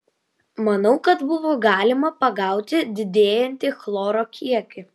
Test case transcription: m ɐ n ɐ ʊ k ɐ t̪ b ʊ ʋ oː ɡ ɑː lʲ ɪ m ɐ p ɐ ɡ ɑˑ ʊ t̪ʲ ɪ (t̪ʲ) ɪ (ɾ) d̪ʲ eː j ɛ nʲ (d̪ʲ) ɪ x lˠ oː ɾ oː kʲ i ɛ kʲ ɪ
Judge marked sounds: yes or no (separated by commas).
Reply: no, no, no